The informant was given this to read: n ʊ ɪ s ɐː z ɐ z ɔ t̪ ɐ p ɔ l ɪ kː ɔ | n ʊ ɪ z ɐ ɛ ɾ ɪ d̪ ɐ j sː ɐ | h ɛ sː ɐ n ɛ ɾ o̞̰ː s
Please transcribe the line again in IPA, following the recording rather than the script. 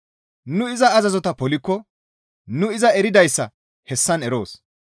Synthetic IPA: n ʊ ɪ z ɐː z ɐ z ɔ t̪ ɐ p ɔ l ɪ kː ɔ | n ʊ ɪ z ɐ ɛ ɾ ɪ d̪ ɐ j sː ɐ | h ɛ sː ɐ n ɛ ɾ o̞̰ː s